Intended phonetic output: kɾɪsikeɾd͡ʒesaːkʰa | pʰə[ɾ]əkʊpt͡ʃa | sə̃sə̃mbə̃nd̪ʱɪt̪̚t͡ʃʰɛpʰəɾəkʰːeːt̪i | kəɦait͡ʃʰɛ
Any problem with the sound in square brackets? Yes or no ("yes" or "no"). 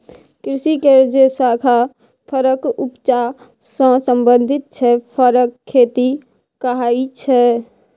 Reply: no